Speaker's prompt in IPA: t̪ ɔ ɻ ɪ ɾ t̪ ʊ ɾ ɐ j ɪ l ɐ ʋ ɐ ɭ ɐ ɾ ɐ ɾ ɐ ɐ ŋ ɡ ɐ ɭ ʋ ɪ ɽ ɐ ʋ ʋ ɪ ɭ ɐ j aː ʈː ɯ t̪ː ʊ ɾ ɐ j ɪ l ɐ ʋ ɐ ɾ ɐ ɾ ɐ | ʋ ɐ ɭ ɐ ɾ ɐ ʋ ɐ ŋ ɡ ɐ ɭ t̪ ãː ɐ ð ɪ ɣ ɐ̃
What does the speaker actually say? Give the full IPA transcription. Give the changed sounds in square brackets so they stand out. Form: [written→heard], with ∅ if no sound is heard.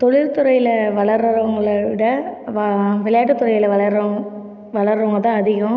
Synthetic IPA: t̪ ɔ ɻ ɪ ɾ t̪ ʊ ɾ ɐ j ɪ l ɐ ʋ ɐ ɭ ɐ ɾ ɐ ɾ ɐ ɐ ŋ ɡ ɐ ɭ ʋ ɪ ɽ ɐ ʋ ʋ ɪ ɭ ɐ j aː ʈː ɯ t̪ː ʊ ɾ ɐ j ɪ l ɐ ʋ ɐ [ɾ→ɭ] ɐ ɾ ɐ | ʋ ɐ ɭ ɐ ɾ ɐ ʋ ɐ ŋ ɡ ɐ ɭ t̪ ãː ɐ ð ɪ ɣ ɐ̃